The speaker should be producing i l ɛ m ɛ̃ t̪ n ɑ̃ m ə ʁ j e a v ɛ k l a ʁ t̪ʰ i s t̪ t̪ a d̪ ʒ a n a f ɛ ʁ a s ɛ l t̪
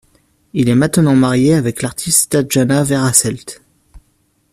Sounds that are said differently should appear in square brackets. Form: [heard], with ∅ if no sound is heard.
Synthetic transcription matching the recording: i l ɛ m ɛ̃ t̪ n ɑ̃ m [a] ʁ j e a v ɛ k l a ʁ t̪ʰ i s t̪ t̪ a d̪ ʒ a n a [v] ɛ ʁ a s ɛ l t̪